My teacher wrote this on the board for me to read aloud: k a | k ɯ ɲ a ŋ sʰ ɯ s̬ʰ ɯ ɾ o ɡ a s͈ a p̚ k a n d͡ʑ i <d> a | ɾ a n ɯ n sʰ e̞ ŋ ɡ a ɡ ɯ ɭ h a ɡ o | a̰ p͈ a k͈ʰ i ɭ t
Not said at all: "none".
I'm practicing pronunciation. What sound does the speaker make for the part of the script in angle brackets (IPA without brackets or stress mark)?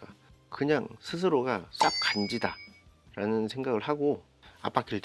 d